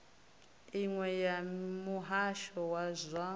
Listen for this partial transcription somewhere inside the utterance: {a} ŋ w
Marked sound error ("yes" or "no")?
yes